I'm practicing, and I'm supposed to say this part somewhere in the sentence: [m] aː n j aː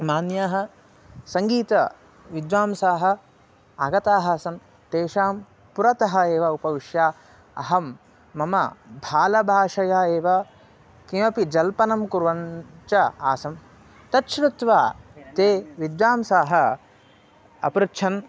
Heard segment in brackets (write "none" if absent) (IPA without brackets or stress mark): m